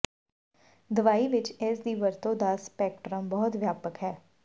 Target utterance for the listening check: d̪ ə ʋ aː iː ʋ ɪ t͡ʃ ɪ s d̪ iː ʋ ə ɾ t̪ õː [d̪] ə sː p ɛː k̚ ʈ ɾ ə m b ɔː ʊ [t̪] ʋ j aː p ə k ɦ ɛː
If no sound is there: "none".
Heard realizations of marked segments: d̪, t̪

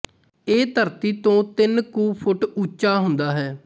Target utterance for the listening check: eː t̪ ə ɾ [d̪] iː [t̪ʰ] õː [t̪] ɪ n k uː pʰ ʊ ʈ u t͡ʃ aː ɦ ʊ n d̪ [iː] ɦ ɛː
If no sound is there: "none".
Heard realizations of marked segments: t̪, t̪, t̪, aː

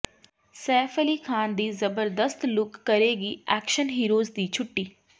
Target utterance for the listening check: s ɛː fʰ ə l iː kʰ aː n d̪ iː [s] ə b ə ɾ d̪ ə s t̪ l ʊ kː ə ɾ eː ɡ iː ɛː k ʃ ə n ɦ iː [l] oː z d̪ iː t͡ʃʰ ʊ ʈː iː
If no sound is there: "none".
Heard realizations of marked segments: z, ɾ

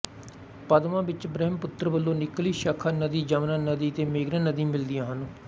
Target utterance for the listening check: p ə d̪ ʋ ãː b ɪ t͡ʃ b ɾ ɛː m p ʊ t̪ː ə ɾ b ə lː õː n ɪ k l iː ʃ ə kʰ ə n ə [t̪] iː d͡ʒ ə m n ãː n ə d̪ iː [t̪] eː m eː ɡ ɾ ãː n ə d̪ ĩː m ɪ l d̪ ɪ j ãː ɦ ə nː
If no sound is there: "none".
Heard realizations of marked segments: d̪, t̪

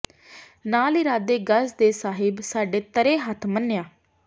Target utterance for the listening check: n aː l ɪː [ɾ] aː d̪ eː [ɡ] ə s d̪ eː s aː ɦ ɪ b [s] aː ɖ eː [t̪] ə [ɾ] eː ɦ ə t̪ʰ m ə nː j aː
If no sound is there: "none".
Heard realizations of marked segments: ɾ, ɡ, s, t̪, ɾ

